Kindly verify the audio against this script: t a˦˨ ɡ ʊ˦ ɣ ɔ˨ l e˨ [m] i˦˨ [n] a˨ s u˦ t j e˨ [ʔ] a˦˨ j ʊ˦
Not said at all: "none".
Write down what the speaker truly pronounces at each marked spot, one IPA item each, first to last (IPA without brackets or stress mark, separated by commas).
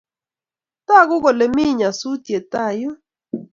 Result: m, ɲ, t